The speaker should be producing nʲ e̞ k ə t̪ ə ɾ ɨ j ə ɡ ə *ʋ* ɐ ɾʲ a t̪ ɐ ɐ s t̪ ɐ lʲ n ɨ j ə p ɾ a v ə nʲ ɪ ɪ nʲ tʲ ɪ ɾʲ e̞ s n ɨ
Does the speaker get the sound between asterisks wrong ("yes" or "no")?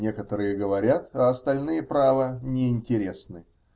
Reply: yes